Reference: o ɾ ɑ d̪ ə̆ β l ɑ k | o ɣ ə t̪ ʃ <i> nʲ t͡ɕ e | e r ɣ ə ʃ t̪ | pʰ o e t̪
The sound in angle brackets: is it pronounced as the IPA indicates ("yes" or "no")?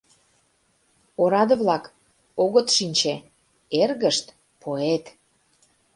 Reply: yes